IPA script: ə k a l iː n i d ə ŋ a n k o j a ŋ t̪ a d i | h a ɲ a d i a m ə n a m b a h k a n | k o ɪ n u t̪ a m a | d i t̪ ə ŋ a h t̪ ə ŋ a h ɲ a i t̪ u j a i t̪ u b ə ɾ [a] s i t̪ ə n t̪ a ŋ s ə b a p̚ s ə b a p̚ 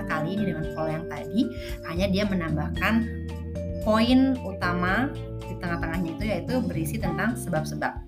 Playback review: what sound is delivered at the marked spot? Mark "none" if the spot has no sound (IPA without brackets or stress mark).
i